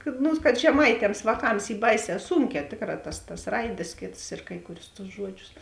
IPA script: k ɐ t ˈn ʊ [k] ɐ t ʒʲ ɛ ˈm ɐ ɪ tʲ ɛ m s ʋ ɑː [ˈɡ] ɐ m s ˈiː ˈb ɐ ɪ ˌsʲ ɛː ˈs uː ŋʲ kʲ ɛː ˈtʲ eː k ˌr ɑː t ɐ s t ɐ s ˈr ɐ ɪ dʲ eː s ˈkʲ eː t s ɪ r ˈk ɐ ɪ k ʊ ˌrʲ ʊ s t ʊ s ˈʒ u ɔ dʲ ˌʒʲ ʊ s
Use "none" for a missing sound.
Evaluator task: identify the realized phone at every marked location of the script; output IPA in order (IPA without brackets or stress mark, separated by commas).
k, k